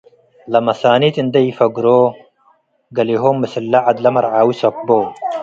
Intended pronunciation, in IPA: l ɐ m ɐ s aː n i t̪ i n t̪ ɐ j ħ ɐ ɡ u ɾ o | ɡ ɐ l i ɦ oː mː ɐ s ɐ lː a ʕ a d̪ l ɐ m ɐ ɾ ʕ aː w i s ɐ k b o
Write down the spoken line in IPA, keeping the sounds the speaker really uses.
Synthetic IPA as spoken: l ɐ m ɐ s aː n i t̪ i n d̪ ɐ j f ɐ ɡ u ɾ o | ɡ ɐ l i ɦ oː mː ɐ s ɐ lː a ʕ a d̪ l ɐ m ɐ ɾ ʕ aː w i s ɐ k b o